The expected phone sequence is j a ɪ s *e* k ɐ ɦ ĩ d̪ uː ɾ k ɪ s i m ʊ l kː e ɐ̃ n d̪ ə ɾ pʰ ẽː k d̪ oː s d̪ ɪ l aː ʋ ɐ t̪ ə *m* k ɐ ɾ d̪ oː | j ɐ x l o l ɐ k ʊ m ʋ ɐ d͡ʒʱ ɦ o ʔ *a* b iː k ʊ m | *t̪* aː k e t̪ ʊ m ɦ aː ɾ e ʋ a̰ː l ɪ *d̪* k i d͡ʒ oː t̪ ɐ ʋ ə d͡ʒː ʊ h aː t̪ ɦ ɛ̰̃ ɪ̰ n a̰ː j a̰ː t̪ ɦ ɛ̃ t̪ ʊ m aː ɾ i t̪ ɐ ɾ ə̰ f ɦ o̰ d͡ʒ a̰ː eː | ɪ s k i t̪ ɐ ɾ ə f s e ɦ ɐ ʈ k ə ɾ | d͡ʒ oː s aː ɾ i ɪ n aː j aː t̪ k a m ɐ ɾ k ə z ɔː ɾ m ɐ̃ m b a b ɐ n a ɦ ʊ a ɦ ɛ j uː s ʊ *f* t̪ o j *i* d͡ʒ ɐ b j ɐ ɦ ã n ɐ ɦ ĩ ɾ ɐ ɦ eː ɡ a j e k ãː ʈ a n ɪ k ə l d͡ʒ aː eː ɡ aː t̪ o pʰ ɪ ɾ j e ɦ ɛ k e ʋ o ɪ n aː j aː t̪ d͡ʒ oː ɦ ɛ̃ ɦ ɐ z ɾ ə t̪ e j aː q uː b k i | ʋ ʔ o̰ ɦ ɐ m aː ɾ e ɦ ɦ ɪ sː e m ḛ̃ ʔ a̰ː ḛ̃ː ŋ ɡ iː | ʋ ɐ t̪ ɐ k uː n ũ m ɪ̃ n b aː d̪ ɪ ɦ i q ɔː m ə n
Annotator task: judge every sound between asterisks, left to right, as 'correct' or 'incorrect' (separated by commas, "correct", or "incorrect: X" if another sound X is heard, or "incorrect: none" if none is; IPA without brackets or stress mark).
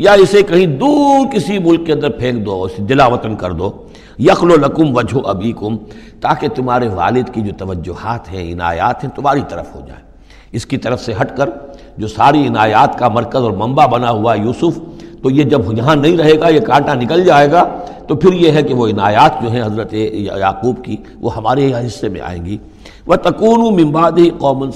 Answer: correct, incorrect: n, incorrect: ɐ, correct, correct, correct, incorrect: e